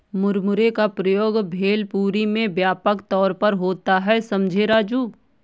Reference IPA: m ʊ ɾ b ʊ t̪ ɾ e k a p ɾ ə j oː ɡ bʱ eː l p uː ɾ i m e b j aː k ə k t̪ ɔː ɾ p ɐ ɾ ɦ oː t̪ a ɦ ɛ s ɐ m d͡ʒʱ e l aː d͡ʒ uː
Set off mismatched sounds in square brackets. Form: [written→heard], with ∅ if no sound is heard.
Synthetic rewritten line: m ʊ ɾ [b→m] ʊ [t̪→∅] ɾ e k a p ɾ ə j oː ɡ bʱ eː l p uː ɾ i m [e→ẽ] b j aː [k→p] ə k t̪ ɔː ɾ p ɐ ɾ ɦ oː t̪ a ɦ ɛ s ɐ m d͡ʒʱ e [l→ɾ] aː d͡ʒ uː